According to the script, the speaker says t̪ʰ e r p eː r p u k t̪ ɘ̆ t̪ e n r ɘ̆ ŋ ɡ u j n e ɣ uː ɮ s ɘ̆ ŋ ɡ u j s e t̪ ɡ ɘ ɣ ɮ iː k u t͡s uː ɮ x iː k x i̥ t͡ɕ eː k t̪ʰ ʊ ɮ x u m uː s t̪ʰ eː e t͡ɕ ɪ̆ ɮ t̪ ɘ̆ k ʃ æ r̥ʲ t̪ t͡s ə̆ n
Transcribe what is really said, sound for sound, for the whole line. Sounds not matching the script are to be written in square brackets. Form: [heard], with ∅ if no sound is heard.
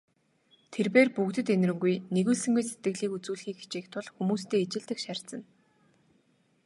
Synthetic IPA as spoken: t̪ʰ e r p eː r p u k t̪ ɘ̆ t̪ e n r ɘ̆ ŋ ɡ u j n e ɣ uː ɮ s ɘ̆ ŋ ɡ u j s e t̪ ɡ ɘ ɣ ɮ iː k u t͡s uː ɮ x iː k x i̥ t͡ɕ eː k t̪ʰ ʊ ɮ x u m uː s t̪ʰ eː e t͡ɕ ɪ̆ ɮ t̪ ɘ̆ k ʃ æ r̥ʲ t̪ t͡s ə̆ n